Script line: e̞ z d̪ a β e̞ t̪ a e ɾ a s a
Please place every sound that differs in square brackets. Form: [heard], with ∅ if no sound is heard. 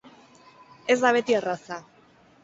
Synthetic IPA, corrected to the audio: e̞ z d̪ a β e̞ t̪ [i] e [r] a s a